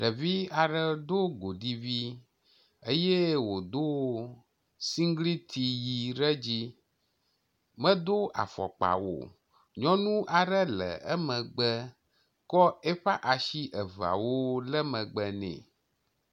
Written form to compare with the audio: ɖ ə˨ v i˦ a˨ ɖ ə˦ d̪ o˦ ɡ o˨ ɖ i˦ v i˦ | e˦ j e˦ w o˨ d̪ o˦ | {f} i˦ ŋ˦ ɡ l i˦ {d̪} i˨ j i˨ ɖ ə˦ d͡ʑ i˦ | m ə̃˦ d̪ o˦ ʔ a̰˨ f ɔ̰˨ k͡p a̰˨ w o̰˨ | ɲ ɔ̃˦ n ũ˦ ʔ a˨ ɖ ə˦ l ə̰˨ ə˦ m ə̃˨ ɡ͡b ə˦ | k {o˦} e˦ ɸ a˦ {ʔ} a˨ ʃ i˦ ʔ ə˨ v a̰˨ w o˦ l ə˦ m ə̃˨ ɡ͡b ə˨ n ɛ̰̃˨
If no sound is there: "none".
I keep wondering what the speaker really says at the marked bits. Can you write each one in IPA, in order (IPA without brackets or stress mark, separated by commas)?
s, t̪, ɔ˦, ʔ